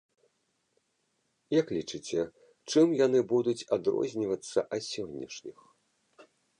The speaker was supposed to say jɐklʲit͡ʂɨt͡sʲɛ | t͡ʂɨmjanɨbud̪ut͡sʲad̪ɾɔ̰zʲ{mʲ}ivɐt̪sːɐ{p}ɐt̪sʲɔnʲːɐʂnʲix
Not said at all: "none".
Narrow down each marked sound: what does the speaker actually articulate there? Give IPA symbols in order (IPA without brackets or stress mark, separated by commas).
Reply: nʲ, ʔ